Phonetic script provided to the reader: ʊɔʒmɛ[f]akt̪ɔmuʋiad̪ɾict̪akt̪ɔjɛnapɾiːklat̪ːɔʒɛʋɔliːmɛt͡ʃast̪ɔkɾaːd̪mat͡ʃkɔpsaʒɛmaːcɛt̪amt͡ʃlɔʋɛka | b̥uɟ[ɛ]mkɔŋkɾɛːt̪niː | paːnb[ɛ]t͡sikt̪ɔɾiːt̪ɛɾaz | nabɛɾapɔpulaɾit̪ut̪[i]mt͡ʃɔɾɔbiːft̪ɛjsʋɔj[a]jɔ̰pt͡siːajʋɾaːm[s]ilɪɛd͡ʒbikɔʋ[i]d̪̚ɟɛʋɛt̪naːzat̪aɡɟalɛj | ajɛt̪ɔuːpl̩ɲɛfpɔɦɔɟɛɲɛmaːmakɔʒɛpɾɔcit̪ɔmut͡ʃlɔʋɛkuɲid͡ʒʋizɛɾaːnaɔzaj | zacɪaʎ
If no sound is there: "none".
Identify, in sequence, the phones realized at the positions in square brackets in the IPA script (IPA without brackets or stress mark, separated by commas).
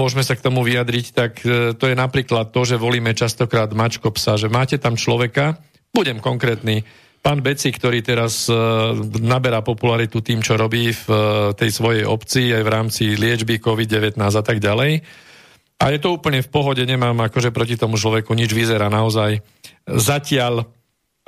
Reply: s, ɛ, ɛ, iː, ɛ, t͡s, i